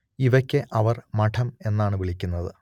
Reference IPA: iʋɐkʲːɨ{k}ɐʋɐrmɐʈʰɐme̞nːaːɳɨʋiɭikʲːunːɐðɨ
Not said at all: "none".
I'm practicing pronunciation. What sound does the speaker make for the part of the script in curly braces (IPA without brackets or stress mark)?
ʔ